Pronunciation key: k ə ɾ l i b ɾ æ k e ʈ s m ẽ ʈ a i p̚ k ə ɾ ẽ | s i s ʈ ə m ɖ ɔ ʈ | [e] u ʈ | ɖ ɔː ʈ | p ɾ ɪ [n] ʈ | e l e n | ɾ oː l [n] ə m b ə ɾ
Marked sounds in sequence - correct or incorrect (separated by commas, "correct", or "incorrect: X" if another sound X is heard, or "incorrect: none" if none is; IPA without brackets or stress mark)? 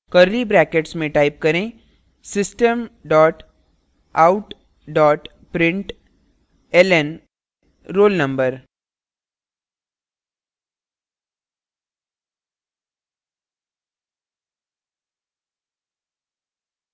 incorrect: a, incorrect: ɳ, correct